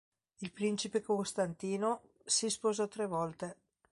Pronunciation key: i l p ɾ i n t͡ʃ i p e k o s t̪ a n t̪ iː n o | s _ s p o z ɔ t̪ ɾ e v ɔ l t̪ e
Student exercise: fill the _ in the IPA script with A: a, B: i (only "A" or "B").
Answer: B